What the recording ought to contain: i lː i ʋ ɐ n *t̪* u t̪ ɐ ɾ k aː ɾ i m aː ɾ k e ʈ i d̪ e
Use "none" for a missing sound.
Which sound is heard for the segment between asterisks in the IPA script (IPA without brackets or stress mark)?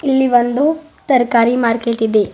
d̪